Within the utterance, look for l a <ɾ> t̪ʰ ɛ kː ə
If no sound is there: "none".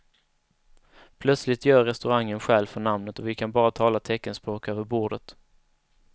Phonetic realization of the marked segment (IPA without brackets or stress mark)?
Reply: none